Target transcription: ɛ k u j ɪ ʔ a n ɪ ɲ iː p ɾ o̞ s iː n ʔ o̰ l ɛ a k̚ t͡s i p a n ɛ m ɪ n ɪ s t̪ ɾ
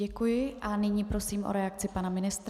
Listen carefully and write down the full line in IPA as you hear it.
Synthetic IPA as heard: ɛ k u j ɪ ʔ a n ɪ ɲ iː p ɾ o̞ s iː m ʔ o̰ ɾ ɛ a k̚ t͡s ɪ p a n a m ɪ n ɪ s t̪ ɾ

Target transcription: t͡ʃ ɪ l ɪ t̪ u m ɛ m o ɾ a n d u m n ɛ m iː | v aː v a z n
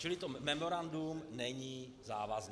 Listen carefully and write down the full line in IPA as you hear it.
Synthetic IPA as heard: t͡ʃ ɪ l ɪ t̪ o m ɛ m o ɾ a n d u m n ɛ ɲ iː | z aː v a z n

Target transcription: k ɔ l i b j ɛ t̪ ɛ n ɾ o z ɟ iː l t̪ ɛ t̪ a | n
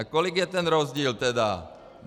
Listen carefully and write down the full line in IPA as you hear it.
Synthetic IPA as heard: k ɔ l i ɡ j ɛ t̪ ɛ n ɾ ɔ z ɟ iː l t̪ ɛ d̪ a | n

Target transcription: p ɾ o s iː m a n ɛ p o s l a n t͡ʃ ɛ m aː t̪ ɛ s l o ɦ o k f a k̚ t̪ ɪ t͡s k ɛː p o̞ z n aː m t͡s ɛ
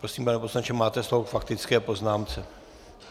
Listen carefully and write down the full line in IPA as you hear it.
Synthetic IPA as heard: p ɾ o s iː m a n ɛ p o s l a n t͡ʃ ɛ m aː t̪ ɛ s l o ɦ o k f a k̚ t̪ ɪ t͡s k ɛː p o̞ z n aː m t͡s ɛ

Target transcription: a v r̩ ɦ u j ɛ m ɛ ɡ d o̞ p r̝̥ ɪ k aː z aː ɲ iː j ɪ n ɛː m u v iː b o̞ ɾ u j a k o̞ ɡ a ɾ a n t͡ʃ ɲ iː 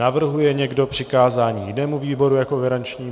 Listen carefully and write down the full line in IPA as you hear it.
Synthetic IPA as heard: a v r̩ ɦ u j ɛ ɲ ɛ ɡ d o̞ p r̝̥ ɪ k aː z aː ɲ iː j ɪ n ɛː m u v iː b o̞ ɾ u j a k o̞ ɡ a ɾ a n t͡ʃ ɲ iː

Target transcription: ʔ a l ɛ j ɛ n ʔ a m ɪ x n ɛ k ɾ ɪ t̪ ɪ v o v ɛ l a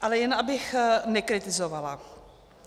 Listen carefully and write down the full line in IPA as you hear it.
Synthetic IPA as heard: ʔ a l ɛ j ɛ n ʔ a b ɪ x n ɛ k ɾ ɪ t̪ ɪ z o v a l a

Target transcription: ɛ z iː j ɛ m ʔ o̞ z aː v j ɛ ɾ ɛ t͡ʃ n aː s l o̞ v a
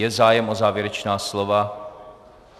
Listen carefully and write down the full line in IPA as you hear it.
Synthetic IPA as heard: ɛ z aː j ɛ m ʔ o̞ z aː v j ɛ ɾ ɛ t͡ʃ n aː s l o̞ v a

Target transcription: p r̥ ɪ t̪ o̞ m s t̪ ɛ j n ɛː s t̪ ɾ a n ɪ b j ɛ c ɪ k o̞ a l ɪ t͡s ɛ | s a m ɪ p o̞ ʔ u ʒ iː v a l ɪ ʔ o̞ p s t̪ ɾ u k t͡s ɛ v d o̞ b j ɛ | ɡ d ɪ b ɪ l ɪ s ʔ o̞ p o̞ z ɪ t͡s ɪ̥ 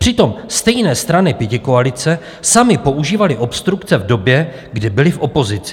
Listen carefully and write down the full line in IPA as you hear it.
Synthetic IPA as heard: p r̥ ɪ t̪ o̞ m s t̪ ɛ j n ɛː s t̪ ɾ a n ɪ p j ɛ c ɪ k o̞ a l ɪ t͡s ɛ | s a m ɪ p o̞ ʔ u ʒ iː v a l ɪ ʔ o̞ p s t̪ ɾ u k t͡s ɛ v d o̞ b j ɛ | ɡ d ɪ b ɪ l ɪ f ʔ o̞ p o̞ z ɪ t͡s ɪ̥

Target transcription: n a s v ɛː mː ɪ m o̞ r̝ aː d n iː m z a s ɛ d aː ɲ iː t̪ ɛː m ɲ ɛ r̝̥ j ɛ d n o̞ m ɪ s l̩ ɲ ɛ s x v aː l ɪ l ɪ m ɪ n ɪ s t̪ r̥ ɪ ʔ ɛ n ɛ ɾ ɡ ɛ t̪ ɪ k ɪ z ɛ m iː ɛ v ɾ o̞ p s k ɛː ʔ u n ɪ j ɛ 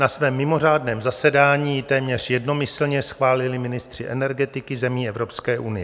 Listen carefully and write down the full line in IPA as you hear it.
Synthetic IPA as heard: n a s v ɛː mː ɪ m o̞ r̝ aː d n ɛː m z a s ɛ d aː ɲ iː t̪ ɛː m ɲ ɛ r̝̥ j ɛ d n o̞ m ɪ s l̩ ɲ ɛ s x v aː l ɪ l ɪ m ɪ n ɪ s t̪ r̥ ɪ ʔ ɛ n ɛ ɾ ɡ ɛ t̪ ɪ k ɪ z ɛ m iː ɛ v ɾ o̞ p s k ɛː ʔ u n ɪ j ɛ

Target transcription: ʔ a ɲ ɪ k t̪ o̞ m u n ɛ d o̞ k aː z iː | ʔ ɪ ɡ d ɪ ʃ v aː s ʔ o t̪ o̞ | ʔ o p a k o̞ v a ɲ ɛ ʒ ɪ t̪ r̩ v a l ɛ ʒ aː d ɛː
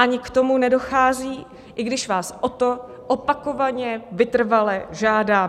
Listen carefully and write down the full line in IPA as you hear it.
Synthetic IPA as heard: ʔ a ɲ ɪ k t̪ o̞ m u n ɛ d o̞ x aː z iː | ʔ ɪ ɡ d ɪ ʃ v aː s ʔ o t̪ o̞ | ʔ o p a k o̞ v a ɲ ɛ v ɪ t̪ r̩ v a l ɛ ʒ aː d aː

